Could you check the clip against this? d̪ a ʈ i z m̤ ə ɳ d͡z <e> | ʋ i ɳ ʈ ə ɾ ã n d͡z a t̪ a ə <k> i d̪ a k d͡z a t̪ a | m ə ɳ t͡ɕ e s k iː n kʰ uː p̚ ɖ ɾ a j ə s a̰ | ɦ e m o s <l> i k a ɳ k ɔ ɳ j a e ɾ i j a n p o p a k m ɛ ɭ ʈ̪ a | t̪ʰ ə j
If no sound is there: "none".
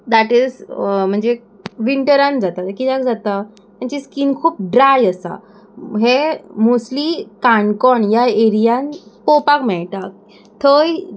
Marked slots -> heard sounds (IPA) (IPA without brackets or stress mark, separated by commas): e, k, l